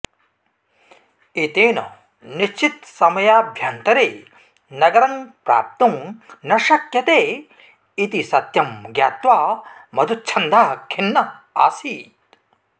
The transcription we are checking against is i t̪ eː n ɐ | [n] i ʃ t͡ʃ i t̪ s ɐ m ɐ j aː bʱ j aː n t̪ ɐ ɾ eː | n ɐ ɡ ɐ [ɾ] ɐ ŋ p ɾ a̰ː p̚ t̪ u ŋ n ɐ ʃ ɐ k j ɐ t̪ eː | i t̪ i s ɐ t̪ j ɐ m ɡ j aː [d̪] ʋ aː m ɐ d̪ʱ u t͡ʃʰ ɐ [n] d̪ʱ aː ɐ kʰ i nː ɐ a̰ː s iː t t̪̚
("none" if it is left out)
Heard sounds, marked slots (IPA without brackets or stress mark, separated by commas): n, ɾ, t̪, n